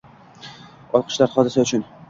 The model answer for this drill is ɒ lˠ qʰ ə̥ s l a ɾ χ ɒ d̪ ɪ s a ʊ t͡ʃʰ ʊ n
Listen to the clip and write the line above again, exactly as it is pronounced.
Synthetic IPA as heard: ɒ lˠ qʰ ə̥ ʃ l a ɾ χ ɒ d̪ ɪ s a ʊ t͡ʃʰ ʊ n